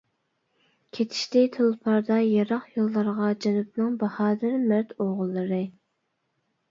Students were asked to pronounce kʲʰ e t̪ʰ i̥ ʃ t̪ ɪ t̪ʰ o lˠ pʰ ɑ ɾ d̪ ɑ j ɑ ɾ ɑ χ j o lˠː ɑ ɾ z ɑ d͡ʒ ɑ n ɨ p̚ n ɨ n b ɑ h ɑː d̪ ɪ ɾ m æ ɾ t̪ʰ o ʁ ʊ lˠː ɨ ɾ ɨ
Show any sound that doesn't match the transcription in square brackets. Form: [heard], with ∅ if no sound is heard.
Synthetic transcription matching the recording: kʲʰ e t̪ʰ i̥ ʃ t̪ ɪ t̪ʰ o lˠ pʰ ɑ ɾ d̪ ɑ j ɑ ɾ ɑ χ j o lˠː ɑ ɾ [ʁ] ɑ d͡ʒ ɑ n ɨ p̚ n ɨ [ŋ] b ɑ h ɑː d̪ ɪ ɾ m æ ɾ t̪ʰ o ʁ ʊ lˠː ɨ ɾ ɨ